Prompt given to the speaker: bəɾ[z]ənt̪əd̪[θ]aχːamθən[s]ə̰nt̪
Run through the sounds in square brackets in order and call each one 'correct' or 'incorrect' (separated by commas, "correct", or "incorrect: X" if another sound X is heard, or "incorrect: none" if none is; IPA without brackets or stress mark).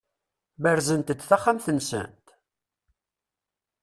correct, correct, correct